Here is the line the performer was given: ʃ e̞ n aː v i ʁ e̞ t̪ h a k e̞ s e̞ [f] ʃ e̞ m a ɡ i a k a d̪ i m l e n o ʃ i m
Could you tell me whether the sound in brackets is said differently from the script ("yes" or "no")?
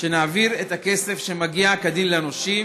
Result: no